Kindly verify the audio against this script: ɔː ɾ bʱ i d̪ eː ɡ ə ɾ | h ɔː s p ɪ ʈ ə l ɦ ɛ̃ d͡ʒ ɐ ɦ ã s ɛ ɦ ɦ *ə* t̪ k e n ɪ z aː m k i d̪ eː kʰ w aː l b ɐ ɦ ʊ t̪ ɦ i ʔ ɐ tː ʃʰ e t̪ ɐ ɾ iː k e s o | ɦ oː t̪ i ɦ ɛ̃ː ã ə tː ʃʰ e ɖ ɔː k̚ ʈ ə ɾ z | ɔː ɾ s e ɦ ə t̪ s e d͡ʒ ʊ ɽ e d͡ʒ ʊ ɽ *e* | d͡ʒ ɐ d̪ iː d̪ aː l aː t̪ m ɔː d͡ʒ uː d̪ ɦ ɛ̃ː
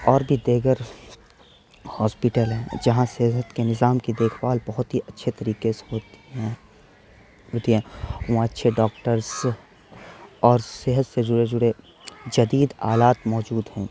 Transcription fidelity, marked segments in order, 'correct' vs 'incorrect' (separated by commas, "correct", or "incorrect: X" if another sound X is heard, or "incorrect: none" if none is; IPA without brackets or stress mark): correct, correct